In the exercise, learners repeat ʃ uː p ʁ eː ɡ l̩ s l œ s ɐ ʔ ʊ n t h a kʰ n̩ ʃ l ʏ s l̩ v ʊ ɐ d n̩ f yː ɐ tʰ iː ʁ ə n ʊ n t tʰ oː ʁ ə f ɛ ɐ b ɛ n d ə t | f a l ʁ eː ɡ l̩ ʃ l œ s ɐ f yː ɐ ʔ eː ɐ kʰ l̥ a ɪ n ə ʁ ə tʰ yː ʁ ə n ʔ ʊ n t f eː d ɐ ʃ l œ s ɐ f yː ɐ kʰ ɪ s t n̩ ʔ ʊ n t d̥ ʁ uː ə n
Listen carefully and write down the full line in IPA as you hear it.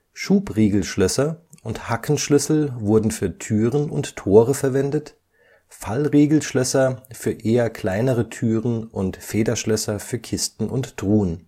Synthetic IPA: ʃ uː p ʁ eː ɡ l̩ ʃ l œ s ɐ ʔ ʊ n t h a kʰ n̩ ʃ l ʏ s l̩ v ʊ ɐ d n̩ f yː ɐ tʰ yː ʁ ə n ʊ n t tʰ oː ʁ ə f ɛ ɐ v ɛ n d ə t | f a l ʁ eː ɡ l̩ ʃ l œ s ɐ f yː ɐ ʔ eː ɐ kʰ l̥ a ɪ n ə ʁ ə tʰ yː ʁ ə n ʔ ʊ n t f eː d ɐ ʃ l œ s ɐ f yː ɐ kʰ ɪ s t n̩ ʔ ʊ n t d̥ ʁ uː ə n